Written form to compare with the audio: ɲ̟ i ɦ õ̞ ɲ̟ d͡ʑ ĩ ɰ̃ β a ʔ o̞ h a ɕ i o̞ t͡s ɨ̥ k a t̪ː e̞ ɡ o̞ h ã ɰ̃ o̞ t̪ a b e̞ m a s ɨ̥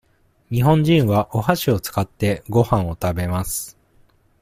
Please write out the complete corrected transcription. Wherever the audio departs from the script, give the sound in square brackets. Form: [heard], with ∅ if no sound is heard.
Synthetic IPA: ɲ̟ i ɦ õ̞ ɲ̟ d͡ʑ ĩ ɰ̃ β a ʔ o̞ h a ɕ i o̞ t͡s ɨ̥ k a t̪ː e̞ ɡ o̞ h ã ɰ̃ o̞ t̪ a b e̞ m a s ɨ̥